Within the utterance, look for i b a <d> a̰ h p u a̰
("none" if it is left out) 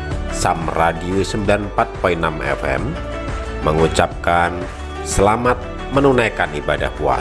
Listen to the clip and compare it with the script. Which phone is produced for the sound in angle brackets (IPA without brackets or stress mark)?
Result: d